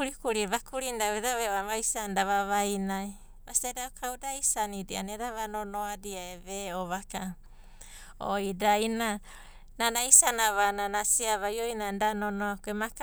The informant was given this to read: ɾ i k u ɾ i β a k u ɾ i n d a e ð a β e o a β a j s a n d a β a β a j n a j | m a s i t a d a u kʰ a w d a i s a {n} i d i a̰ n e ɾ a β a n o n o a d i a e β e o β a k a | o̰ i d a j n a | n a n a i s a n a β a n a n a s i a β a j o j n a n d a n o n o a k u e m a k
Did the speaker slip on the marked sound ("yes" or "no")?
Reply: no